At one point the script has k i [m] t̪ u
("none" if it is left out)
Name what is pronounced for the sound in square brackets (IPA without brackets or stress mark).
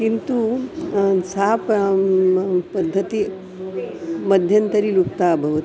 n